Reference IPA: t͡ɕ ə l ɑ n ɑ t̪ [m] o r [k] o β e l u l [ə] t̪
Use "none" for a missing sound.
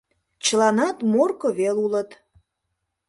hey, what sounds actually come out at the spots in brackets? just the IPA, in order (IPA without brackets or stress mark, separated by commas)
m, k, ə